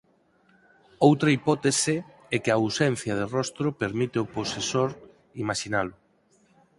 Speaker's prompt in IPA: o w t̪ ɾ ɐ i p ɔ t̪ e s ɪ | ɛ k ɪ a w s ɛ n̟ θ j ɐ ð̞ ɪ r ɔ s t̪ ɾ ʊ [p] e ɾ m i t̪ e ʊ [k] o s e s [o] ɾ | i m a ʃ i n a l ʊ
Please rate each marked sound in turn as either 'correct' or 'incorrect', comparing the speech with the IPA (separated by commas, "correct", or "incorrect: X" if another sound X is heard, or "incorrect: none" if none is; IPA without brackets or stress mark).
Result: correct, incorrect: p, correct